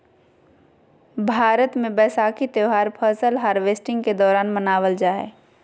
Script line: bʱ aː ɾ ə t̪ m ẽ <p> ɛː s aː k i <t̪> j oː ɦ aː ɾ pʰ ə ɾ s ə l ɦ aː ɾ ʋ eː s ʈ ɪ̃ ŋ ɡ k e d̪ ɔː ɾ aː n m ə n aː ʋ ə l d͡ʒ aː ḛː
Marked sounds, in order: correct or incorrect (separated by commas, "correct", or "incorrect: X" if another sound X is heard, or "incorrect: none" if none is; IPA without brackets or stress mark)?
incorrect: b, correct